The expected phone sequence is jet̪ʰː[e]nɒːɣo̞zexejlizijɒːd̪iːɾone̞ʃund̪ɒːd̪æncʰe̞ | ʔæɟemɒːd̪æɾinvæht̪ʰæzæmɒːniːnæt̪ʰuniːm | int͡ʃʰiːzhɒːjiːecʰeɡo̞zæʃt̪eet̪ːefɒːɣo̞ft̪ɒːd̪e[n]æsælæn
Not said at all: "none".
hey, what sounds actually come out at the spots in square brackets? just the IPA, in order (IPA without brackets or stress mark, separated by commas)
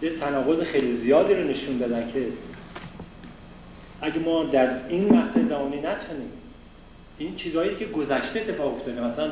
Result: æ, m